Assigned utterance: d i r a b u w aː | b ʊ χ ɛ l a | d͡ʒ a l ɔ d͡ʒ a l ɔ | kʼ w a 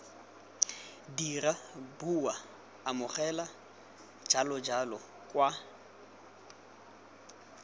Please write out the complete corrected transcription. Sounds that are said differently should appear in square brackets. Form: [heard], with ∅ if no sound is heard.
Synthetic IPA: d i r a b u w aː | [m] ʊ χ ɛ l a | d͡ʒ a l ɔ d͡ʒ a l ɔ | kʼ w a